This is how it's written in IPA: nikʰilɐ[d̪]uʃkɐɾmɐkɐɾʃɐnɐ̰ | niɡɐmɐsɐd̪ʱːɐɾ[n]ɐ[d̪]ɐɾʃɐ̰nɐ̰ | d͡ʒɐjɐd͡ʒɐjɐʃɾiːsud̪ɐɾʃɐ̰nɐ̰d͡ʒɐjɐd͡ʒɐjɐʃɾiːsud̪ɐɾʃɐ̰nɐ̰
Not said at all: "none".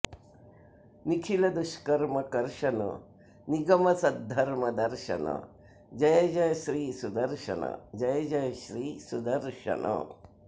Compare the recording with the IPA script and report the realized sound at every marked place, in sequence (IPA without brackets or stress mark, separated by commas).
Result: d̪, m, d̪